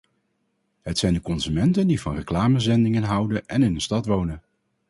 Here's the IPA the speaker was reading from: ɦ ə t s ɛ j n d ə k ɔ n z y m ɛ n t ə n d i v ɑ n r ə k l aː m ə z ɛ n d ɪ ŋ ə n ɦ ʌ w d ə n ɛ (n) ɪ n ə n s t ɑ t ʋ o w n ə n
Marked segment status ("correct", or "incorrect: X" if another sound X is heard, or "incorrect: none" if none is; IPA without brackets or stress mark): correct